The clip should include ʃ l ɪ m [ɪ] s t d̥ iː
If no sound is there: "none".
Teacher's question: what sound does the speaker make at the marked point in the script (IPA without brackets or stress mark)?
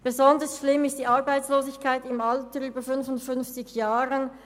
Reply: ɪ